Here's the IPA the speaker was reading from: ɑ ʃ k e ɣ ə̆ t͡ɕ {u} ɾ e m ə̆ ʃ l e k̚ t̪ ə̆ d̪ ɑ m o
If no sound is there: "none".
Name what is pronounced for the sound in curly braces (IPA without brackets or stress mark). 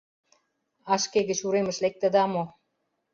u